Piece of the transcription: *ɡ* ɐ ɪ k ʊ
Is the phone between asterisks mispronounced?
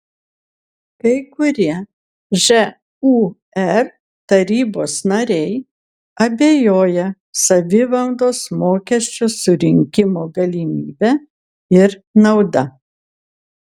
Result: yes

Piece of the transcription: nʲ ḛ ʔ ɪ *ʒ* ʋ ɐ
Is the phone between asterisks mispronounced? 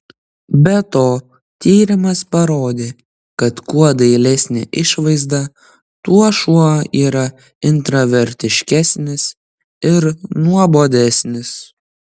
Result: yes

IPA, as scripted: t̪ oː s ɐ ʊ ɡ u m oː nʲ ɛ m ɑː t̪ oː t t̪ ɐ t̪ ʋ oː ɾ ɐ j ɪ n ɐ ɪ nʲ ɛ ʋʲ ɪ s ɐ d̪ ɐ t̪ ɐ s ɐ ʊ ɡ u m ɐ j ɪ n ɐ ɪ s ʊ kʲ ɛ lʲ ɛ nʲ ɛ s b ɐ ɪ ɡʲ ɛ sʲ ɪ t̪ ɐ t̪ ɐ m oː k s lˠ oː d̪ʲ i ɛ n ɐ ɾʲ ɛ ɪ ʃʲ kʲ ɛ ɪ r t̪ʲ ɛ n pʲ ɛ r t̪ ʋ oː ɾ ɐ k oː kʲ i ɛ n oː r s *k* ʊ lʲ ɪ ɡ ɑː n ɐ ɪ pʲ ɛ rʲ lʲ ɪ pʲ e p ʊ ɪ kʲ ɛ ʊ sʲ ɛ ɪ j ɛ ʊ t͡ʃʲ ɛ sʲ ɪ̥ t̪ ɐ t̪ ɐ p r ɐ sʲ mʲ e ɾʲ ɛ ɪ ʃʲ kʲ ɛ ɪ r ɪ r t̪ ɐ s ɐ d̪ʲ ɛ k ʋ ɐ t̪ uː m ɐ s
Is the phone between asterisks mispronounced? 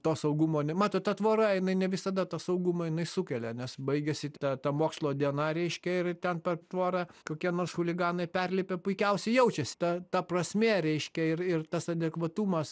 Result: yes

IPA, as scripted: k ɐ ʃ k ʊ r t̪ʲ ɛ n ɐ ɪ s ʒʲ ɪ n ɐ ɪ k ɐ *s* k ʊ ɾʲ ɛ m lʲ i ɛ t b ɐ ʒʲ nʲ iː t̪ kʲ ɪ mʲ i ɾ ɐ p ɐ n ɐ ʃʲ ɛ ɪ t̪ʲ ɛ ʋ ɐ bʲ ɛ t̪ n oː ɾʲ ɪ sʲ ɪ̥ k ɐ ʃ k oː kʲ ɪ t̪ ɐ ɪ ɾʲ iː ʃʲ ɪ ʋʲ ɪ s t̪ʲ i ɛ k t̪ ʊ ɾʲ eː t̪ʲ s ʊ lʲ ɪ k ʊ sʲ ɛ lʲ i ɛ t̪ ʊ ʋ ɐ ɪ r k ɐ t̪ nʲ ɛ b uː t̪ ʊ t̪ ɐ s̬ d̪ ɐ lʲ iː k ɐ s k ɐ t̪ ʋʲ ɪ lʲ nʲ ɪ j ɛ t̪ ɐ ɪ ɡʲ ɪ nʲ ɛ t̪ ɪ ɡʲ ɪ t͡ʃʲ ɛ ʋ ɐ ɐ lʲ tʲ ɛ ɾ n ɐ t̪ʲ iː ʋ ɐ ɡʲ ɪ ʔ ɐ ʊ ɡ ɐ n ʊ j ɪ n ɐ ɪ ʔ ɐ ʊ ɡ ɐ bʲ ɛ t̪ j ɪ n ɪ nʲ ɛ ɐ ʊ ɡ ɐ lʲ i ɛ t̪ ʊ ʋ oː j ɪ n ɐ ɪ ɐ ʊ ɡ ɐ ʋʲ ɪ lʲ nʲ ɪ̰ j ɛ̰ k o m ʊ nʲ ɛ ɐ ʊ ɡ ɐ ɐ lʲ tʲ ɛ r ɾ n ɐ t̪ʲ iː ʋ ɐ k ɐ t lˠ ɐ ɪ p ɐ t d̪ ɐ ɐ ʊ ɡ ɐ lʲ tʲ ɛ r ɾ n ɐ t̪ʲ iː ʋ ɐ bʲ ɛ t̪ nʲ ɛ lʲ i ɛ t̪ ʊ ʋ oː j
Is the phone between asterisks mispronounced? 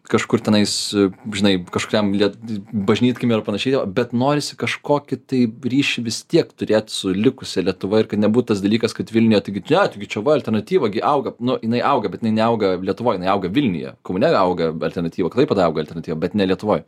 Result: yes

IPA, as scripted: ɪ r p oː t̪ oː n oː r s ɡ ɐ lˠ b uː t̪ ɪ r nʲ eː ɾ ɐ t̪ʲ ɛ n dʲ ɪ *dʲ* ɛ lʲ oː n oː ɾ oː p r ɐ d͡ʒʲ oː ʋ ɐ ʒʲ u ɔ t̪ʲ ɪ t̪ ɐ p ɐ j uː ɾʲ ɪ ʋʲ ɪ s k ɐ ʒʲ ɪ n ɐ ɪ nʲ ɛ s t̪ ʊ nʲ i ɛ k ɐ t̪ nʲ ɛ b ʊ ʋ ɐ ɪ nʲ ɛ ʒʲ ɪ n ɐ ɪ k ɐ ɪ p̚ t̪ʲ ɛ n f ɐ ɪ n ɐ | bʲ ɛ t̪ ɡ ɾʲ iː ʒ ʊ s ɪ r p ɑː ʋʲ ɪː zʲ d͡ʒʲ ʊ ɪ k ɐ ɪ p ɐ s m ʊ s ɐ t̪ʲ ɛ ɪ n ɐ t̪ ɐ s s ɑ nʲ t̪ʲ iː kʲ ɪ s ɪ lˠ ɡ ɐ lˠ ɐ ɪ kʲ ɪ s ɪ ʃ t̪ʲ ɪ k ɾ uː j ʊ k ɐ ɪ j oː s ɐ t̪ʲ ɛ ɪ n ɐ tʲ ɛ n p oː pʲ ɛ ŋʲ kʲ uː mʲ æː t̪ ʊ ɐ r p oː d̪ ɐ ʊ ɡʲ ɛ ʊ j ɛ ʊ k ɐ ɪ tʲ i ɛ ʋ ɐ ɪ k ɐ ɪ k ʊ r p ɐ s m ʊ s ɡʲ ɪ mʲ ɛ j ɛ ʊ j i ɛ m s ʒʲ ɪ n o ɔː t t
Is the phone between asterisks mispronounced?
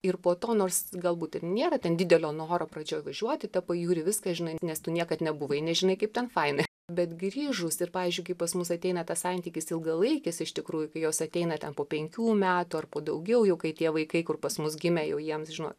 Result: no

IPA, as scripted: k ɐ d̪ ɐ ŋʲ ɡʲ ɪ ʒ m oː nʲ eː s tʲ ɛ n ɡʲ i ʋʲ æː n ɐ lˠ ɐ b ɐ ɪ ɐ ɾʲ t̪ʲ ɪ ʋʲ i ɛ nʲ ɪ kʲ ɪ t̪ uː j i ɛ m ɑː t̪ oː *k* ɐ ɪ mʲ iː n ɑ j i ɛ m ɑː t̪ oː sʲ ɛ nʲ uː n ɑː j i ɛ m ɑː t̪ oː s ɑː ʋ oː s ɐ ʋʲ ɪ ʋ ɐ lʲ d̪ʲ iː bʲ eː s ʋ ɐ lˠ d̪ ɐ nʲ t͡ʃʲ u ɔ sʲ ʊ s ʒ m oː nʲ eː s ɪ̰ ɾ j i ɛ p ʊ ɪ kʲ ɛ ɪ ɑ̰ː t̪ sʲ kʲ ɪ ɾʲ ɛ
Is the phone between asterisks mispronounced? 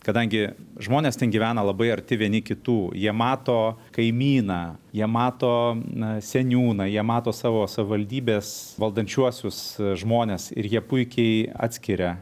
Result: no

